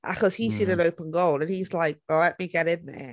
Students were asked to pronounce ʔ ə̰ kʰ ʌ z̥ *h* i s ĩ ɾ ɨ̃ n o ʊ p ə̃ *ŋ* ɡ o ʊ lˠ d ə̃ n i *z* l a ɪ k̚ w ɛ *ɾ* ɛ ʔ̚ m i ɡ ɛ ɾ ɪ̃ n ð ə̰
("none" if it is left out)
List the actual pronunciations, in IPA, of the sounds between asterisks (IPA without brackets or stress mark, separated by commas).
h, n, z, l